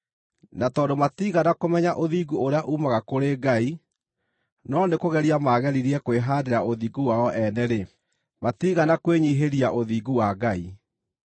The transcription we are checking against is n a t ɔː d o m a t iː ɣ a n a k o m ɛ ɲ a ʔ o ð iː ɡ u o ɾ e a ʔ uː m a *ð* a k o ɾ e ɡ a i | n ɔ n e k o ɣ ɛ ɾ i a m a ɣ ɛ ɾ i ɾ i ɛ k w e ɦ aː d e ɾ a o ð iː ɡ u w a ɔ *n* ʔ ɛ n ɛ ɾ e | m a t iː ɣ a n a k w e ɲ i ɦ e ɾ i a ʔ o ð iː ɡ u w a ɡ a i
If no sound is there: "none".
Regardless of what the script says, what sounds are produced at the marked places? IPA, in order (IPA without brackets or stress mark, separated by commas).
ɣ, none